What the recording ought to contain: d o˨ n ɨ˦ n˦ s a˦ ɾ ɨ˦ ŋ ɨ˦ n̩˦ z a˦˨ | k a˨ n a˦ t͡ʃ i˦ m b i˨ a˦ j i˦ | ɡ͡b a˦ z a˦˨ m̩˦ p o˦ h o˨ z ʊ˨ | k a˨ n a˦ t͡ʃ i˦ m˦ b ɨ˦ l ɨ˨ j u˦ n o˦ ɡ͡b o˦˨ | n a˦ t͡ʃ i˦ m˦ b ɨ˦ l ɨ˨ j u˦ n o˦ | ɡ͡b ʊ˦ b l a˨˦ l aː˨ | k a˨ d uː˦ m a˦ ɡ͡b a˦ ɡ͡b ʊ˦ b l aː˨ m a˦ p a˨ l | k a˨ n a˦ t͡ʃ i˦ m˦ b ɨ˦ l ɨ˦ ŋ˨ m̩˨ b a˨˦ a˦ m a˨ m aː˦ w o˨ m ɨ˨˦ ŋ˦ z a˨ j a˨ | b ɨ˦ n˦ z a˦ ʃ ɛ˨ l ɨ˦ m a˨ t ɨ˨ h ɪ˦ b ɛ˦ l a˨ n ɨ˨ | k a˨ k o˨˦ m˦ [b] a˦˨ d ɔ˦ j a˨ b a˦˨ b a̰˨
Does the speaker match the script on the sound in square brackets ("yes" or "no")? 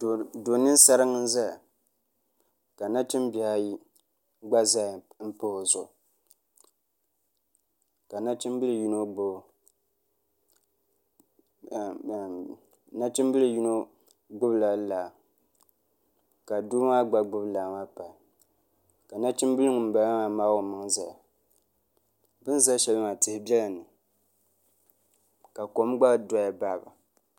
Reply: no